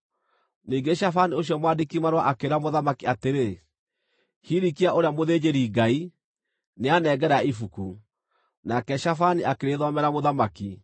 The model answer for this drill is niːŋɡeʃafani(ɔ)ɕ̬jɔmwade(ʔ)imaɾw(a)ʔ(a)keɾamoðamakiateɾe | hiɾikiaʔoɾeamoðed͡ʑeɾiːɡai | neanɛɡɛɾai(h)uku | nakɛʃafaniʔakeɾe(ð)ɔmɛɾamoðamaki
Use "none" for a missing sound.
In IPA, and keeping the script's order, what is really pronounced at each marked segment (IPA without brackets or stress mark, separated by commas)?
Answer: o, k, a, a, f, ð